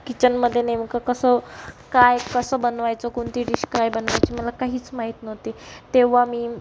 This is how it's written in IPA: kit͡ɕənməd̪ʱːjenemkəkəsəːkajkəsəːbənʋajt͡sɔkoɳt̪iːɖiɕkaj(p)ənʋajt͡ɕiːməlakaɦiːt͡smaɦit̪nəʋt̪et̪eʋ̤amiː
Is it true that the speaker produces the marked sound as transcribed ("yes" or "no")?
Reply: no